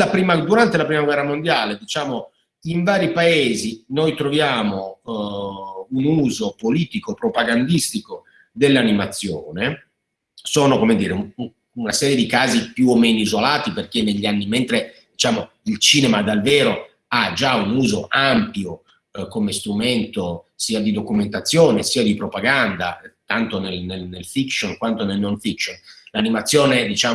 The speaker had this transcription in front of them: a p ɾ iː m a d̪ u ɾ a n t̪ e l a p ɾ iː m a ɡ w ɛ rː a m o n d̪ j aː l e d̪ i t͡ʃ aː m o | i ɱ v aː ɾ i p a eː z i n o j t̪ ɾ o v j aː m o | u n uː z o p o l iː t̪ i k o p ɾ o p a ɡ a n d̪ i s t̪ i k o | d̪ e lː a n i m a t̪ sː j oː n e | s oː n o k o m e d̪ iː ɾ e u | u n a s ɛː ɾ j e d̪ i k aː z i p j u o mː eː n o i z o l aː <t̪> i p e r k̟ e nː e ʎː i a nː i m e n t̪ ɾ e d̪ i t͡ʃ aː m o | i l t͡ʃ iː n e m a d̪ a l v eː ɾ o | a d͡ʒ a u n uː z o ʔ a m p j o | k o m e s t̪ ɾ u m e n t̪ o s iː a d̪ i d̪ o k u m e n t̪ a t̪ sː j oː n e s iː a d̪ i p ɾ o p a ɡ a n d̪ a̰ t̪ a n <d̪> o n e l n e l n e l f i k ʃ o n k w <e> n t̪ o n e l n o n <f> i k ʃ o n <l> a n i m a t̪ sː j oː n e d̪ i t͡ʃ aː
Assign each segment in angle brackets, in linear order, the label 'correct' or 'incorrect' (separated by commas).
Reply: correct, incorrect, incorrect, correct, correct